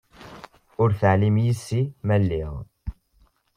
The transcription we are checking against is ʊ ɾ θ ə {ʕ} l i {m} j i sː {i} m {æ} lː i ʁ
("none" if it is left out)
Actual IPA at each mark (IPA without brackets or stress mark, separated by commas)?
ʕ, m, i, æ